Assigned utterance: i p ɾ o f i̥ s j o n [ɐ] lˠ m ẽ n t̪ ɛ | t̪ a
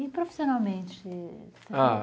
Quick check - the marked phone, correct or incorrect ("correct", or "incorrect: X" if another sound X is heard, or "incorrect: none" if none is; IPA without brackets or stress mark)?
incorrect: a